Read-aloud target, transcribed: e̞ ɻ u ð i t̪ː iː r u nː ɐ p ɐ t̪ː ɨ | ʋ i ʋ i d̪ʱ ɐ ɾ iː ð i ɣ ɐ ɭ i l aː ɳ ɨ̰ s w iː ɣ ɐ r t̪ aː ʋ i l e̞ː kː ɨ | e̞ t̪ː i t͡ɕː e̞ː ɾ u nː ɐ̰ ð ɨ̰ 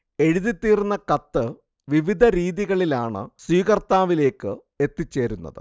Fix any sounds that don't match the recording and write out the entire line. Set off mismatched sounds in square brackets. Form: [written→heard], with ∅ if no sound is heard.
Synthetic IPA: e̞ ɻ u ð i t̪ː iː r u nː ɐ [p→k] ɐ t̪ː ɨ | ʋ i ʋ i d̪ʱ ɐ ɾ iː ð i ɣ ɐ ɭ i l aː ɳ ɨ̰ s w iː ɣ ɐ r t̪ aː ʋ i l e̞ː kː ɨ | e̞ t̪ː i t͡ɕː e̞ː ɾ u nː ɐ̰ ð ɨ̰